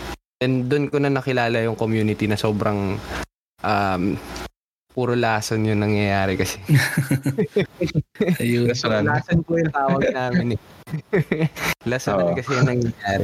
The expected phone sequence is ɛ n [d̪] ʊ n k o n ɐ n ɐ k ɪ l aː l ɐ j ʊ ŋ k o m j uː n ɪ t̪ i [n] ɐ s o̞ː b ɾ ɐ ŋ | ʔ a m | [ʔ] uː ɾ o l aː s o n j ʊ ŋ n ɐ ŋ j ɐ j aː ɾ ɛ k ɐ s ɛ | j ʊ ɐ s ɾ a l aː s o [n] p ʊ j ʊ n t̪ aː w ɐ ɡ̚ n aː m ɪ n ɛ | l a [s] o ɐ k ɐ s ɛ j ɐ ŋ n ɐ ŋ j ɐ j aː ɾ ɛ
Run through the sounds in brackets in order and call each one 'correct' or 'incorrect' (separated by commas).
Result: correct, correct, incorrect, correct, correct